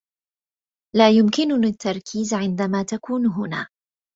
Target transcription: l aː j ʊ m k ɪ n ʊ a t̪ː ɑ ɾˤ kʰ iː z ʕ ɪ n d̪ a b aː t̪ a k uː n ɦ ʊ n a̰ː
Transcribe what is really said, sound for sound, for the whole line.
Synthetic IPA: l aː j ʊ m k ɪ n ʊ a t̪ː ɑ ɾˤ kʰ iː z ʕ ɪ n d̪ a m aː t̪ a k uː n ɦ ʊ n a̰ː